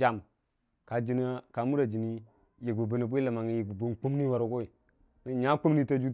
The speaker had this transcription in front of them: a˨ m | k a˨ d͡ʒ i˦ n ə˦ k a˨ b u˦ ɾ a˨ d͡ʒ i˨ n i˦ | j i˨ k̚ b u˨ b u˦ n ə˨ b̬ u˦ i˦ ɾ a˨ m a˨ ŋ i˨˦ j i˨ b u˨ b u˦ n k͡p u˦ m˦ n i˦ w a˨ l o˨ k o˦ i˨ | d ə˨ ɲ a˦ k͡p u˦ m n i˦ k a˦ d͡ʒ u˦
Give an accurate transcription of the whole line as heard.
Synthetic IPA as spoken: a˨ m | k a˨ d͡ʒ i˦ n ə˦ k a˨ m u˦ ɾ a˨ d͡ʒ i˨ n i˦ | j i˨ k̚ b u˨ b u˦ n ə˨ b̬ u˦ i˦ l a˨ m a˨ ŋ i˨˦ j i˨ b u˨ b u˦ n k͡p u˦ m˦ n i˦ w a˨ ɾ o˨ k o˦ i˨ | n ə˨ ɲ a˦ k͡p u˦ m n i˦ t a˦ d͡ʒ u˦